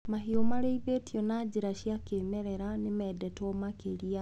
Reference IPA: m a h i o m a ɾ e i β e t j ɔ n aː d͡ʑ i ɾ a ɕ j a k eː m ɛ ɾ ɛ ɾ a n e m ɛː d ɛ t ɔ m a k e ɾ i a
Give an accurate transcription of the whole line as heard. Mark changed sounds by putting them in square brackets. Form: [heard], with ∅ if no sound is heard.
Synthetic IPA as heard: m a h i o m a ɾ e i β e t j ɔ n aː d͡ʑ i ɾ a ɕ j a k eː m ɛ ɾ ɛ ɾ a n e m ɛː d ɛ t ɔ m a k e ɾ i a